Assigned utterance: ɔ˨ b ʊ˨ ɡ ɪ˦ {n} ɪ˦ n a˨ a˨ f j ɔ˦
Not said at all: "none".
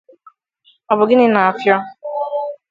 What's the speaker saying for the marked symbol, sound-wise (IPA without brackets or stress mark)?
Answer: n